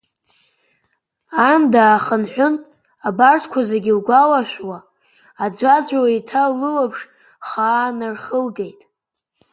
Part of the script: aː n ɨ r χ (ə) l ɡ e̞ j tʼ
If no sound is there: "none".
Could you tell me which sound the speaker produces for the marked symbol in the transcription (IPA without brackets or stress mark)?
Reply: ə